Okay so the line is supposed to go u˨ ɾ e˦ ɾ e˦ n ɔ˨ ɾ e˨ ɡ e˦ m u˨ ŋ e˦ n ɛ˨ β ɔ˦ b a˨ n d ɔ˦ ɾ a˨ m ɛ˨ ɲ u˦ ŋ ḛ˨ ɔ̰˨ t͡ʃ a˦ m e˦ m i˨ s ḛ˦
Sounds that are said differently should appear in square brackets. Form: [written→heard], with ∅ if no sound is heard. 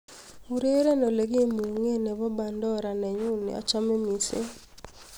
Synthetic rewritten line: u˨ ɾ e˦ ɾ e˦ n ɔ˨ [ɾ→l] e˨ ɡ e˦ m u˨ ŋ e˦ n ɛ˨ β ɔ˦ b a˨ n d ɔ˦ ɾ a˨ [m→n] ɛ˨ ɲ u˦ [ŋ→n] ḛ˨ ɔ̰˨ t͡ʃ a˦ m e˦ m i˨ s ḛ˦